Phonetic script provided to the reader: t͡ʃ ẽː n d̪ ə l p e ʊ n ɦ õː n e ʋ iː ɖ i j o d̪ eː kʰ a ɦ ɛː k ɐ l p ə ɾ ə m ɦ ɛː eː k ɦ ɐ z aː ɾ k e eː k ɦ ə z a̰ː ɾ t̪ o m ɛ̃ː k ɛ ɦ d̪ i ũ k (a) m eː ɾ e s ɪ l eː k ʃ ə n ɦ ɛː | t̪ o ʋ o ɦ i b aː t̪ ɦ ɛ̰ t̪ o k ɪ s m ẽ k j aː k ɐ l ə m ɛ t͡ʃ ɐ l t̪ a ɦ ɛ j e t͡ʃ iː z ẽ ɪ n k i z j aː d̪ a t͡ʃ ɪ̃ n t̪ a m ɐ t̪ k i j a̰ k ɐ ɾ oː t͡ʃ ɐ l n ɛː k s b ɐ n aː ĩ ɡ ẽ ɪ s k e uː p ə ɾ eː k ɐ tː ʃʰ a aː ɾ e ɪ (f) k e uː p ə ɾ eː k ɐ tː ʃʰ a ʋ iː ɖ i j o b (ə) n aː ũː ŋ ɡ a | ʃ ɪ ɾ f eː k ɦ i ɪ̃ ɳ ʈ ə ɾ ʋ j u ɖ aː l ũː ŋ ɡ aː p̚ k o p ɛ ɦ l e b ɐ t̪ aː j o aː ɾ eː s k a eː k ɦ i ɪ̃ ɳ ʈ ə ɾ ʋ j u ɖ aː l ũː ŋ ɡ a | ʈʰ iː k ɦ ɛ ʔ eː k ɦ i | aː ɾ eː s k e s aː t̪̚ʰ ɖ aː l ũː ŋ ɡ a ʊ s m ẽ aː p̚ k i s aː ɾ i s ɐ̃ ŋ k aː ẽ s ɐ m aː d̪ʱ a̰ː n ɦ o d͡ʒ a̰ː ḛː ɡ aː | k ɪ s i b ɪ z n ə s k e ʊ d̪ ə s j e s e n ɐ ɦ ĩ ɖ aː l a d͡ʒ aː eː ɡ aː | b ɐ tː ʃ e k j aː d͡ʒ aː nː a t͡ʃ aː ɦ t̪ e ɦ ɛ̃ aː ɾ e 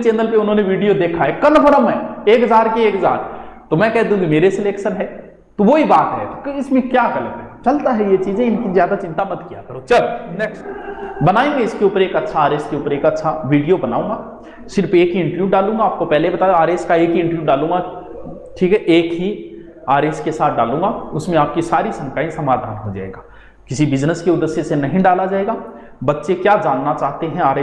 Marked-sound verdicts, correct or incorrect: incorrect: i, incorrect: s, incorrect: ɐ

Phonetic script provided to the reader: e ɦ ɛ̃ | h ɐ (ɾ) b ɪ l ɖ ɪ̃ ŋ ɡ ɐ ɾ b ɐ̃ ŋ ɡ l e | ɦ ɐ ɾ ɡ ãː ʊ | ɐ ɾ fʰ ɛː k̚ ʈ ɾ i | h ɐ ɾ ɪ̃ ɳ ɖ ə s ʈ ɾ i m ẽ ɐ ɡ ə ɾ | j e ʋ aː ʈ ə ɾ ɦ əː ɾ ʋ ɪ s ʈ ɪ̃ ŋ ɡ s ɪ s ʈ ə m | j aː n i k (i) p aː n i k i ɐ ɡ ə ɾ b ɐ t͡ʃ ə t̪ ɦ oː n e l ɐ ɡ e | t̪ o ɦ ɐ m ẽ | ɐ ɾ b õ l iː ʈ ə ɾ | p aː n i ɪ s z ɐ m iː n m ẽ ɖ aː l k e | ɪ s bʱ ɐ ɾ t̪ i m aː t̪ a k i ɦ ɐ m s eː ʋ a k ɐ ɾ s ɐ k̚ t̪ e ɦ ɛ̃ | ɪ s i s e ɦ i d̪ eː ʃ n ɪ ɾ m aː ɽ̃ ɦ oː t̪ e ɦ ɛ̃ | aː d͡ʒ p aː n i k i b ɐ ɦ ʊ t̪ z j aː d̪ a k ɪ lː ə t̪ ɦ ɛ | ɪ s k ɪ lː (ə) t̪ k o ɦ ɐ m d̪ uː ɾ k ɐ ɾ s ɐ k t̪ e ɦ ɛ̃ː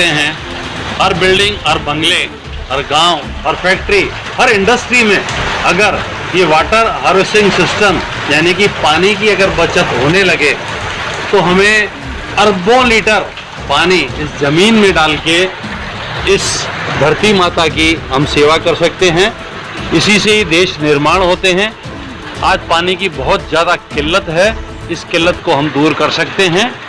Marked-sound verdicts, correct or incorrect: correct, correct, correct

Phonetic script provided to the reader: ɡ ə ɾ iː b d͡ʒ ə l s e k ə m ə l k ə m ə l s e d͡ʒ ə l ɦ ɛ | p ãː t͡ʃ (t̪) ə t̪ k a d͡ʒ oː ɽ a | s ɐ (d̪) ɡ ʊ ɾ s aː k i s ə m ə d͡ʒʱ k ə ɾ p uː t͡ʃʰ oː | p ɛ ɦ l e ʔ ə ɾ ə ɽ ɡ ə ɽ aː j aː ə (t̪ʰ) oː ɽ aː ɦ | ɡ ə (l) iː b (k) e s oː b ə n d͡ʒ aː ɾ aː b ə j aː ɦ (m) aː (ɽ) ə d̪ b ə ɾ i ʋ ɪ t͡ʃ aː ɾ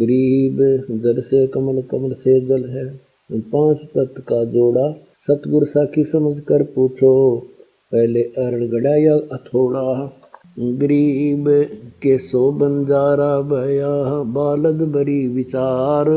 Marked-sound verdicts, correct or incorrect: correct, incorrect: t̪, correct, incorrect: ɾ, correct, incorrect: b, incorrect: l

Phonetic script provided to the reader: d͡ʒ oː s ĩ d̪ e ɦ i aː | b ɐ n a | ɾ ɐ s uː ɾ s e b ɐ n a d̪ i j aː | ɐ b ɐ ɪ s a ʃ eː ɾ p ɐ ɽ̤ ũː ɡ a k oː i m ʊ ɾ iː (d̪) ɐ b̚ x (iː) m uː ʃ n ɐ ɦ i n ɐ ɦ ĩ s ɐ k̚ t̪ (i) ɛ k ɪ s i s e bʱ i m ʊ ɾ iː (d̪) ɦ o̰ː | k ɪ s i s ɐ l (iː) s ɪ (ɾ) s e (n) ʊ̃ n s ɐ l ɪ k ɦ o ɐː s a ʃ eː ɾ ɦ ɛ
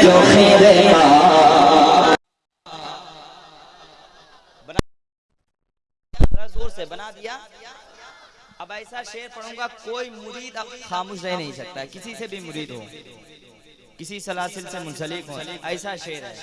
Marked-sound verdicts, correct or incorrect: correct, incorrect: aː, incorrect: a, correct, incorrect: aː, incorrect: l, incorrect: m

